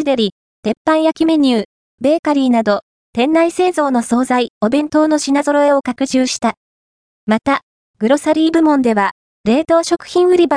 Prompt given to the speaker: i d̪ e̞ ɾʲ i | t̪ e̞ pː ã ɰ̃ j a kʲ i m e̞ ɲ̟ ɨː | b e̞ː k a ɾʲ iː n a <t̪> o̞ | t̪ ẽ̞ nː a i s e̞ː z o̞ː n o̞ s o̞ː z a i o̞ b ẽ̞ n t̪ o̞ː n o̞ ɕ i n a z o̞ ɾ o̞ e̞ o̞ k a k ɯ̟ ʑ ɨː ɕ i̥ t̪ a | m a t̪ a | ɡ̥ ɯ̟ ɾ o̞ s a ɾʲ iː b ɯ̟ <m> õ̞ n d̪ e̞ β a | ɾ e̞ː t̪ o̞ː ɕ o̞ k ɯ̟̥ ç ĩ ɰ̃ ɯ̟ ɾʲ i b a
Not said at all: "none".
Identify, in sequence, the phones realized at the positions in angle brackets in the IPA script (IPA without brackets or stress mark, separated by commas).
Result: d̪, m